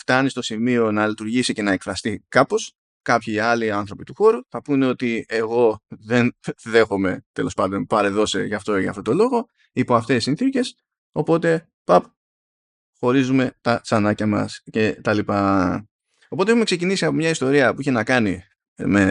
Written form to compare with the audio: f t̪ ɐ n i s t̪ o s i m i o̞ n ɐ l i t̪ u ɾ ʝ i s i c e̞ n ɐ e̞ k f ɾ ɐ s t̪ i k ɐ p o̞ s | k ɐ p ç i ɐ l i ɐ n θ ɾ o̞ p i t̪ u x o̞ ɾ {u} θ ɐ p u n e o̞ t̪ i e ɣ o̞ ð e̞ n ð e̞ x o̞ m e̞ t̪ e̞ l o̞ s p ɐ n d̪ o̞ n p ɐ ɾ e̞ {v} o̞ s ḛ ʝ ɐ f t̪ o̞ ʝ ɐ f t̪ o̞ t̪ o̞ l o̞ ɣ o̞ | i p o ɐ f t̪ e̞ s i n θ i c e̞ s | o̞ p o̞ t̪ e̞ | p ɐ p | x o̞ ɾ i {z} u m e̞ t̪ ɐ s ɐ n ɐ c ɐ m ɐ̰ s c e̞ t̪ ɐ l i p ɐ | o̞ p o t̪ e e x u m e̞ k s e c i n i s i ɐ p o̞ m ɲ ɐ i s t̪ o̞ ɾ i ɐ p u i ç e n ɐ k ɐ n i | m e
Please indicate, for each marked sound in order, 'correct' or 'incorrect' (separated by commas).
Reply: correct, incorrect, correct